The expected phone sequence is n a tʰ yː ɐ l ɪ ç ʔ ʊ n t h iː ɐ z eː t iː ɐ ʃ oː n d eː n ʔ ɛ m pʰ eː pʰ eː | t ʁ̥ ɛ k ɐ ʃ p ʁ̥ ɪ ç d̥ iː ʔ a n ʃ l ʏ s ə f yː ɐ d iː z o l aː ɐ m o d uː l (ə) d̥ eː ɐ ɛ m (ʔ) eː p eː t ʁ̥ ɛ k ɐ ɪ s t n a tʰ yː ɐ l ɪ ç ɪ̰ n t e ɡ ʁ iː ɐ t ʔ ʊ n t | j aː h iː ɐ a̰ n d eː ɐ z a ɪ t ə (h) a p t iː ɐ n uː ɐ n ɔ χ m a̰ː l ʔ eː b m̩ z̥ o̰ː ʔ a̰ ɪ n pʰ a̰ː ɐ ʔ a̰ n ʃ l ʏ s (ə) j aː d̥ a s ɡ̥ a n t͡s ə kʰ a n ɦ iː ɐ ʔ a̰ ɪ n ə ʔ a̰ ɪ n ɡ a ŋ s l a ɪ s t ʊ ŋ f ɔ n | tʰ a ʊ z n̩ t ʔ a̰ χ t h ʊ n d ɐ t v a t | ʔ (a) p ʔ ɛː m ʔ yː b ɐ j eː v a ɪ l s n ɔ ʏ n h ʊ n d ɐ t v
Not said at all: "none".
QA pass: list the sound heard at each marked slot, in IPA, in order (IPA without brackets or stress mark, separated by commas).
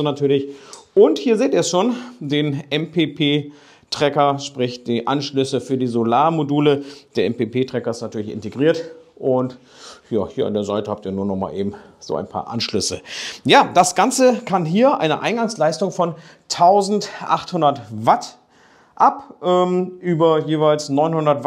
ə, p, h, ə, a